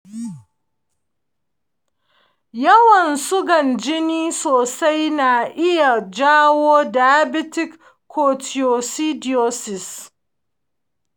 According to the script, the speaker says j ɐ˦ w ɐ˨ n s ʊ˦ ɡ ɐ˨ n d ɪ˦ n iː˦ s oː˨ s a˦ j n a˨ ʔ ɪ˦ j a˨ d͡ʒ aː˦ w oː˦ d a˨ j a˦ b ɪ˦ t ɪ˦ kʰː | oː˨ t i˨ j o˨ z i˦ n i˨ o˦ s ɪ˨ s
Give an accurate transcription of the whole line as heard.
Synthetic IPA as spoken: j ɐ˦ w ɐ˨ n s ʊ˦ ɡ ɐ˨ n d͡ʒ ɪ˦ n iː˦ s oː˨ s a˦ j n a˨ ʔ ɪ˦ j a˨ d͡ʒ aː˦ w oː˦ d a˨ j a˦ b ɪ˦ t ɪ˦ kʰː | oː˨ t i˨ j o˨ s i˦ d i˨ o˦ s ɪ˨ s